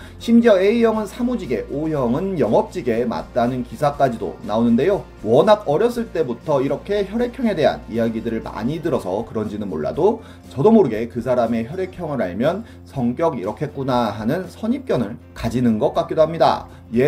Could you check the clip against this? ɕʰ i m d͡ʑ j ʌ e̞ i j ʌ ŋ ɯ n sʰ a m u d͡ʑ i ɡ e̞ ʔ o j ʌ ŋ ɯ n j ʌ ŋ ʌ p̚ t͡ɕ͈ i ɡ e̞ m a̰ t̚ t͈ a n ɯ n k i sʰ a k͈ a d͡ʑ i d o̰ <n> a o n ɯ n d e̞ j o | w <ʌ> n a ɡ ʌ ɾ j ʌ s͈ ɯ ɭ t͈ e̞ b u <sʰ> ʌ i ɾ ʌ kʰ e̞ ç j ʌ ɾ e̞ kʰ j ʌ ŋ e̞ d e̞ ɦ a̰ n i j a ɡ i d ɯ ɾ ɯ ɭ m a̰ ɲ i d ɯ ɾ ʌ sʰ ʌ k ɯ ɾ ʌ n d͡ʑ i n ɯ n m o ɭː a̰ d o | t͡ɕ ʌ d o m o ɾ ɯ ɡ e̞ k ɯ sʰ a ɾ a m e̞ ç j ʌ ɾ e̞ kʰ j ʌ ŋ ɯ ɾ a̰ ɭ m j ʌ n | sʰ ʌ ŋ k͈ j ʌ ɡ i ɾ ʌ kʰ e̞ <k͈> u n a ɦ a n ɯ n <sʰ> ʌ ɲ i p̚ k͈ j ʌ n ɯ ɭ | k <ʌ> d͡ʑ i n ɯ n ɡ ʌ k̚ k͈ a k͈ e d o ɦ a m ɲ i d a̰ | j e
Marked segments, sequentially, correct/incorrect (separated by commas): correct, correct, incorrect, correct, correct, incorrect